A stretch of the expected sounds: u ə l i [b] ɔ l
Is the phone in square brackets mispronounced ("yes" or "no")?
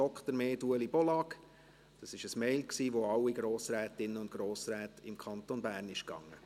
no